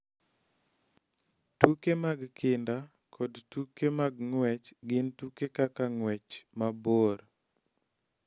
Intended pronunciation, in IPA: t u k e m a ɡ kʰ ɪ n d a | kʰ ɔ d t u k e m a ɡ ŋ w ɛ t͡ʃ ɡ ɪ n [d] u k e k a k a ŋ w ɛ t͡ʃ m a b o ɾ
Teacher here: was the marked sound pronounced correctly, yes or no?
no